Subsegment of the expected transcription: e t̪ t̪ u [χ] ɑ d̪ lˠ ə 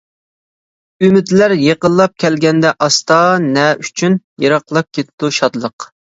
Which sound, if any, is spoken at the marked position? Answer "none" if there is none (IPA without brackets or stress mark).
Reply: ʃ